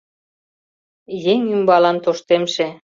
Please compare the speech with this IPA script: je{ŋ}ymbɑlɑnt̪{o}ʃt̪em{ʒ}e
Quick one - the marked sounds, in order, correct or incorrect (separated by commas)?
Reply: correct, correct, incorrect